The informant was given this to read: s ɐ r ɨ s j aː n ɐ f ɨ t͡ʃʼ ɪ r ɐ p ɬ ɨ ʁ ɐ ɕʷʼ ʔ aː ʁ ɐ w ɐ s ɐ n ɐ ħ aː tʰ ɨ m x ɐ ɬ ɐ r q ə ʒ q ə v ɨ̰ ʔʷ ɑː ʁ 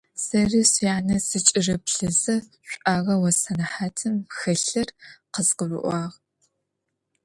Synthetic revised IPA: s ɐ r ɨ s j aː n ɐ s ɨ t͡ʃʼ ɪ r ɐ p ɬ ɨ z ɐ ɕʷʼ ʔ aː ʁ ɐ w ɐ s ɐ n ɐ ħ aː tʰ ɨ m x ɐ ɬ ɐ r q ə z q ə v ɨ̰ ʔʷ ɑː ʁ